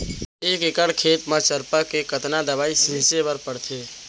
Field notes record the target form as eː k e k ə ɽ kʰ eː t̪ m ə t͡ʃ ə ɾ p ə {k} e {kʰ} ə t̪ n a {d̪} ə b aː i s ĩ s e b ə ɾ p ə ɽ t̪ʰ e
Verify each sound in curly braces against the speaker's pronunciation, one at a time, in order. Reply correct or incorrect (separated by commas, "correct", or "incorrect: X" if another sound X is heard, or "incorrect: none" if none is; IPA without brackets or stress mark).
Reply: correct, incorrect: k, correct